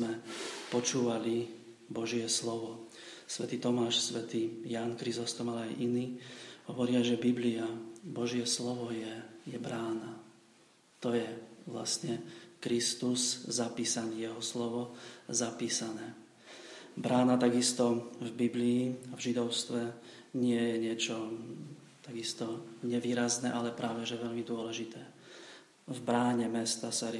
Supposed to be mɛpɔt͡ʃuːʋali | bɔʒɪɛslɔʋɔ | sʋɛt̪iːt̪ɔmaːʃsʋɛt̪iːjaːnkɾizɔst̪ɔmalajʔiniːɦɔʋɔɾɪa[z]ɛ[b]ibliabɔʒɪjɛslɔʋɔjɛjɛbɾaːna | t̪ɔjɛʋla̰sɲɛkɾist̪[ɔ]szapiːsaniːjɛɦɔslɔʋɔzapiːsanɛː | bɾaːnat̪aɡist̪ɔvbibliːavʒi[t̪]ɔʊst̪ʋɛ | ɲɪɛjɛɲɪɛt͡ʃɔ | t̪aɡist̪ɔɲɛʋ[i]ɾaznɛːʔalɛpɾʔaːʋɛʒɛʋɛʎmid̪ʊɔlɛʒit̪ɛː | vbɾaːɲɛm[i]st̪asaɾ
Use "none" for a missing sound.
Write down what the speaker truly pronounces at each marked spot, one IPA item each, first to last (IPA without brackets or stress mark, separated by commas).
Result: ʒ, b, u, d̪, iː, ɛ